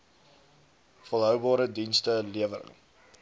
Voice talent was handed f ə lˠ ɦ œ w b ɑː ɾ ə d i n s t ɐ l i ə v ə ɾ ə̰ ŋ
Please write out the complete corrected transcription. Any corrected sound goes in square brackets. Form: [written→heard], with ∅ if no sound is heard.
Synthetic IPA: f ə lˠ ɦ œ w b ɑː ɾ ə d i n s t [ɐ→ə] l i ə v ə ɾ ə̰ ŋ